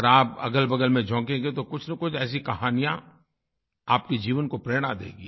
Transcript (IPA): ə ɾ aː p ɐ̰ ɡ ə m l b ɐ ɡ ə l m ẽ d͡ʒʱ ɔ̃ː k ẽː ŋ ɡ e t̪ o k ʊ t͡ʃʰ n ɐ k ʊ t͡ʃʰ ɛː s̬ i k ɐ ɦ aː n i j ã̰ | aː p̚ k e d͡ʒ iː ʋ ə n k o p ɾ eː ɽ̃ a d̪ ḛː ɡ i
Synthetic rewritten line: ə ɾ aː p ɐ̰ ɡ ə l b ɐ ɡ ə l m ẽ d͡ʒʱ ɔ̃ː k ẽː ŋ ɡ e t̪ o k ʊ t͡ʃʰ n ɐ k ʊ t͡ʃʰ ɛː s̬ i k ɐ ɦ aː n i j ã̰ | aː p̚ k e d͡ʒ iː ʋ ə n k o p ɾ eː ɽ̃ a d̪ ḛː ɡ i